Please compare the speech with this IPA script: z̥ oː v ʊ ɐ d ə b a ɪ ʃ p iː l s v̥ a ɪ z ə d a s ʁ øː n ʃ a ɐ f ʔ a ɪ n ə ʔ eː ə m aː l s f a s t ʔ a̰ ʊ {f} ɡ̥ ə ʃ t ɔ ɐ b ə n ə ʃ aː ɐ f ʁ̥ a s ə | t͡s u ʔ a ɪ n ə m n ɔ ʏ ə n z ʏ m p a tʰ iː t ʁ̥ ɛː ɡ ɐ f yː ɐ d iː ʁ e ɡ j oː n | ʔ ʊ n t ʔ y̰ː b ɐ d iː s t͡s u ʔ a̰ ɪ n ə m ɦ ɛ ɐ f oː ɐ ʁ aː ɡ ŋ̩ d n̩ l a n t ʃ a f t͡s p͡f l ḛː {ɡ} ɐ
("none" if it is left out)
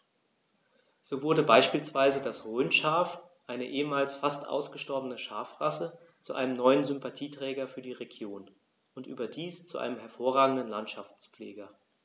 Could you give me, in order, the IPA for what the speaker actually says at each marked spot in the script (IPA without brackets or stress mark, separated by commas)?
s, ɡ